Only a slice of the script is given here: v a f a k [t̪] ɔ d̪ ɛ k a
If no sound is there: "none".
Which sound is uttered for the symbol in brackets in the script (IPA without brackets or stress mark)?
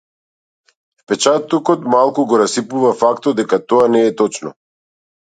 t̪